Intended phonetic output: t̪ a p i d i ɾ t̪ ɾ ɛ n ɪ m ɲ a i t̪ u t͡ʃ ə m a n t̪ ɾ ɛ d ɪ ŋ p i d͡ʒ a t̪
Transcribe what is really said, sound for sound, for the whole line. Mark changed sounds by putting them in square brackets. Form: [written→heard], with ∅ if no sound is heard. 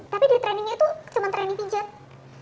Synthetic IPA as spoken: t̪ a p i d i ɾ t̪ ɾ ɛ n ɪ [m→ŋ] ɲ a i t̪ u t͡ʃ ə m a n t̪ ɾ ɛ [d→n] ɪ ŋ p i d͡ʒ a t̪